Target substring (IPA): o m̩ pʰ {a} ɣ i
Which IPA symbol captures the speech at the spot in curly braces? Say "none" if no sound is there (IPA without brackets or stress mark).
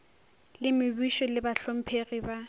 e